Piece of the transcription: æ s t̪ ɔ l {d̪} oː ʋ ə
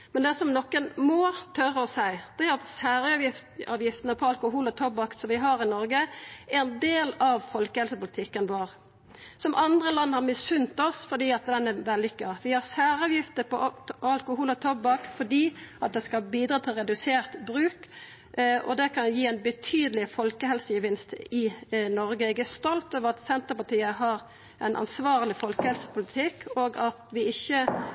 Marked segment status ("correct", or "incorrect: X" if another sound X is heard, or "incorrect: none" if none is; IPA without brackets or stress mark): incorrect: t̪